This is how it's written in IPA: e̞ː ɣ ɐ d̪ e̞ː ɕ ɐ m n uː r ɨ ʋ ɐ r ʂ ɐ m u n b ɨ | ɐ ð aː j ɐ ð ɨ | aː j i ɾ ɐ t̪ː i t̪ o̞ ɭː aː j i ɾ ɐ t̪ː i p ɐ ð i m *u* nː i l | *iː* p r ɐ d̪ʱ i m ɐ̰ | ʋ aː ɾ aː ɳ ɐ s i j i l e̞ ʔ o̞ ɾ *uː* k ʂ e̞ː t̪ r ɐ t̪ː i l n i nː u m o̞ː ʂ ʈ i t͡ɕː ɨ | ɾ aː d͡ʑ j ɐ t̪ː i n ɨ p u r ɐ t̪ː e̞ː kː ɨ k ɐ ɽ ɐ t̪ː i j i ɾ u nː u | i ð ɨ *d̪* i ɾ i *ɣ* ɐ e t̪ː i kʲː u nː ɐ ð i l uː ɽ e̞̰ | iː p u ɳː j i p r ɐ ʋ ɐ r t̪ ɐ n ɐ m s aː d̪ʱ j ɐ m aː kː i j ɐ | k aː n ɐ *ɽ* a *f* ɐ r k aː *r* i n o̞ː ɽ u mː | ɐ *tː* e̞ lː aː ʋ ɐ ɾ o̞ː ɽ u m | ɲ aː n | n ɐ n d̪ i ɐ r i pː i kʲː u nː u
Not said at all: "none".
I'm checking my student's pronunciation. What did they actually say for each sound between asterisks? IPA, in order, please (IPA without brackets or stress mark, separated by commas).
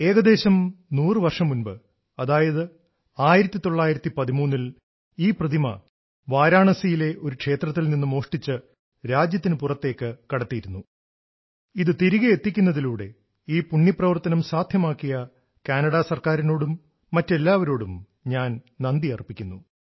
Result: uː, iː, u, t̪, ɣ, ɽ, s, ɾ, tː